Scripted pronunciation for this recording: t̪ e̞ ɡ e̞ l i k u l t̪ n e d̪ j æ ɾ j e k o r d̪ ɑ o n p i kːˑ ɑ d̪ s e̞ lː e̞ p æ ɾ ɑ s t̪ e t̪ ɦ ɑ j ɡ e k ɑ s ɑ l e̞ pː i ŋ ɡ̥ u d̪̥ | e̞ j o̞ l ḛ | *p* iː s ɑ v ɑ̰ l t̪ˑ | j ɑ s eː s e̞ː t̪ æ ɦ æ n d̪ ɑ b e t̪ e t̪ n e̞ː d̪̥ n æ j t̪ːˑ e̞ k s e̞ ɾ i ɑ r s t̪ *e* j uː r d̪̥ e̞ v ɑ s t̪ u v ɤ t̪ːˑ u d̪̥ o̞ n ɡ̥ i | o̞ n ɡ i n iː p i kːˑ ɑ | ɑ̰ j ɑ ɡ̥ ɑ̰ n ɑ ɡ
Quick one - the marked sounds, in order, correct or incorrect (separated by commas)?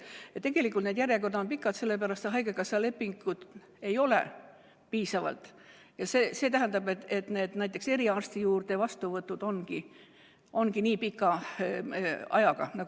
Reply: correct, incorrect